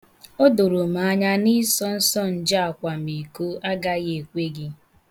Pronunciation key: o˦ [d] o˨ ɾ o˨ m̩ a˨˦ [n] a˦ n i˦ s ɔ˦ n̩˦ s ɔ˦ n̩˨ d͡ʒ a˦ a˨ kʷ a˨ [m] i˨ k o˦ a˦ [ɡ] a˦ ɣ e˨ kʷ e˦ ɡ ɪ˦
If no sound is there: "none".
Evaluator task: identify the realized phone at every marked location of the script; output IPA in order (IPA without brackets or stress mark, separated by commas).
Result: d, ɲ, m, ɡ